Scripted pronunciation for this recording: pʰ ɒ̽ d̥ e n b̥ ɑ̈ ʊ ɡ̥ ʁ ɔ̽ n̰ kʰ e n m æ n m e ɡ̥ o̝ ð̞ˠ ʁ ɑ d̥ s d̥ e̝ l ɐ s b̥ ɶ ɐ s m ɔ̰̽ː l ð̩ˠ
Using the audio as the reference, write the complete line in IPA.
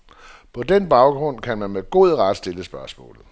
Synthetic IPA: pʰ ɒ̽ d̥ e n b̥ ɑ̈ ʊ ɡ̥ ʁ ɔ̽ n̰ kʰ æ n m æ n m e ɡ̥ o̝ ð̞ˠ ʁ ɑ d̥ s d̥ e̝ l ə s b̥ ɶ ɐ s m ɔ̰̽ː l ð̩ˠ

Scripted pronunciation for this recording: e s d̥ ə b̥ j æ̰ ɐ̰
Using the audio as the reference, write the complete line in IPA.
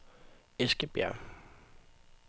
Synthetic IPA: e s ɡ̥ ə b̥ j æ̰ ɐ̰

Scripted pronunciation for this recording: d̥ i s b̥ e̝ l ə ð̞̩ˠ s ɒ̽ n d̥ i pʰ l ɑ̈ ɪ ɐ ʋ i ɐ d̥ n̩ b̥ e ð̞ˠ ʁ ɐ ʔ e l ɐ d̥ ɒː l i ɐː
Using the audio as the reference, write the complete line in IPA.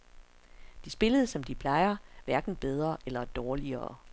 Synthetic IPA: d̥ i s b̥ e̝ l ə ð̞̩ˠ s ɒ̽ m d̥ i pʰ l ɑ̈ ɪ ɐ ʋ æ ɐ ɡ̥ n̩ b̥ e ð̞ˠ ʁ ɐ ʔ e l ɐ d̥ ɒː l i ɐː

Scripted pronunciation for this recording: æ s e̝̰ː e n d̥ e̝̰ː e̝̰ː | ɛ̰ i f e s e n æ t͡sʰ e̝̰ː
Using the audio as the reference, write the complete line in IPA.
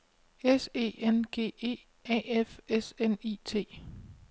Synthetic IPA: e s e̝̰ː e n ɡ̥ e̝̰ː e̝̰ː | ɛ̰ e f e s e n i t͡sʰ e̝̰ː

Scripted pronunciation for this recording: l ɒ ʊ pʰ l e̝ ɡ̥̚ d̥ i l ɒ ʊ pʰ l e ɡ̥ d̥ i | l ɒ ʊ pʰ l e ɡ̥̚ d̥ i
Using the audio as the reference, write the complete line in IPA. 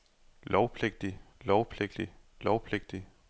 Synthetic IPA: l ɒ ʊ pʰ l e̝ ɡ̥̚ d̥ i l ɒ ʊ pʰ l e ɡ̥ d̥ i | l ɒ ʊ pʰ l e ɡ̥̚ d̥ i

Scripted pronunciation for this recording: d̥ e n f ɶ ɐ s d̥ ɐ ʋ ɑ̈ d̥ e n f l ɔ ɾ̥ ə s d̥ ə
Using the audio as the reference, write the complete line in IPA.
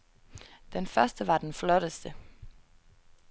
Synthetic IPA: d̥ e n f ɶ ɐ s d̥ ə ʋ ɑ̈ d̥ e n f l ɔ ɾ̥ ə s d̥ ə

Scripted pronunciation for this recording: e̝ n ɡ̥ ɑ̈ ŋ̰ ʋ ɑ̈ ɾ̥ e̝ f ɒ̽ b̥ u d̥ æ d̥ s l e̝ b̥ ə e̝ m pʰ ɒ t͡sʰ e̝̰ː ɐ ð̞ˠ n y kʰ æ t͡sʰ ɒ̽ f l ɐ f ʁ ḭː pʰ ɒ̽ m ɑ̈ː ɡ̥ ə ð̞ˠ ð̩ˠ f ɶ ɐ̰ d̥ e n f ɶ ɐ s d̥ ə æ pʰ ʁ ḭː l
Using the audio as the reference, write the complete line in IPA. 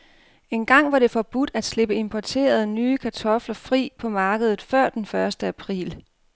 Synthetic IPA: e̝ n ɡ̥ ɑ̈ ŋ̰ ʋ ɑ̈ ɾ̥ e̝ f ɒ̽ b̥ u d̥ æ d̥ s l e̝ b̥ ə e̝ m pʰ ɒ t͡sʰ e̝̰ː ɐ ð̞ˠ n yː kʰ æ t͡sʰ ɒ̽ f l ɐ f ʁ ḭː pʰ ɒ̽ m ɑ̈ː ɡ̥ ə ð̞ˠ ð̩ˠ f ɶ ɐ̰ d̥ e n f ɶ ɐ s d̥ ə æ pʰ ʁ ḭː l

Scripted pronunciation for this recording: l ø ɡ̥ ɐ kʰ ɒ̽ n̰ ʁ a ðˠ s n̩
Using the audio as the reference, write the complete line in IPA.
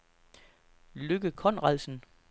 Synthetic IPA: l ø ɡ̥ ə kʰ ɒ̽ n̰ ʁ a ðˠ s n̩

